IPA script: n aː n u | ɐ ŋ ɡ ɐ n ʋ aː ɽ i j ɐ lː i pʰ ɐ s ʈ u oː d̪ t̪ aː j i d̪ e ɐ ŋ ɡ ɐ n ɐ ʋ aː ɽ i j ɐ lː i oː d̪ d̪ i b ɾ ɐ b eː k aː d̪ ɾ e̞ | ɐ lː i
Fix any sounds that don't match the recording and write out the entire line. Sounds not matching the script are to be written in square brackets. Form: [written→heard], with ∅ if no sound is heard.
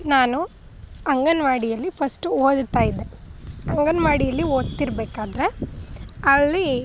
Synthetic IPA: n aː n u | ɐ ŋ ɡ ɐ n ʋ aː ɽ i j ɐ lː i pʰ ɐ s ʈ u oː d̪ t̪ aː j i d̪ e ɐ ŋ ɡ ɐ n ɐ ʋ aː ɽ i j ɐ lː i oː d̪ [d̪→t̪] i [b→∅] ɾ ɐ b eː k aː d̪ ɾ e̞ | ɐ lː i

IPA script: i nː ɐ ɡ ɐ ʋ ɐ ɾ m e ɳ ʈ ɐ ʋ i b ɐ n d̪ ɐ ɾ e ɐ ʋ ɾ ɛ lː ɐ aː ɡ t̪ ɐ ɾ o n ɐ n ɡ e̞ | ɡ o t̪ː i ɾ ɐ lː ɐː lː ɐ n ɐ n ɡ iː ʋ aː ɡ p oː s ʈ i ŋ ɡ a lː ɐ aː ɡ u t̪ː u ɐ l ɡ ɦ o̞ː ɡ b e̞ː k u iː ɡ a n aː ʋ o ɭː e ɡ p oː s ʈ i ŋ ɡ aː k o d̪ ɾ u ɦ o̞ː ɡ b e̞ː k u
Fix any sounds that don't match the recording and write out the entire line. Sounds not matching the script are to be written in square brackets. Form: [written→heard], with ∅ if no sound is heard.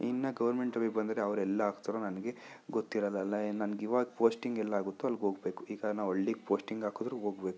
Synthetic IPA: i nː ɐ ɡ ɐ ʋ ɐ ɾ m e ɳ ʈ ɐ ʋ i b ɐ n d̪ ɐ ɾ e ɐ ʋ ɾ ɛ lː ɐ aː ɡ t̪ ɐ ɾ o n ɐ n ɡ e̞ | ɡ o t̪ː i ɾ ɐ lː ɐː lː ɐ n ɐ n ɡ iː ʋ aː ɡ p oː s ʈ i ŋ ɡ [a→ɛ] lː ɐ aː ɡ u t̪ː u ɐ l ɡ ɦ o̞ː ɡ b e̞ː k u iː ɡ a n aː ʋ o ɭː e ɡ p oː s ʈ i ŋ ɡ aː k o d̪ ɾ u ɦ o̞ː ɡ b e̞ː k u

